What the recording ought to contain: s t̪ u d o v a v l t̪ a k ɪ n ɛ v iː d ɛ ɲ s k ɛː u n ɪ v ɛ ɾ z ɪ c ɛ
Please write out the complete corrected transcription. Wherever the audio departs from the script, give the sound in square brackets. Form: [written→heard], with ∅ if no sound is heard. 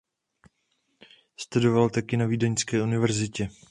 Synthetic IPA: s t̪ u d o v a [v→∅] l t̪ a k ɪ n [ɛ→a] v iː d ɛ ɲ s k ɛː u n ɪ v ɛ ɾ z ɪ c ɛ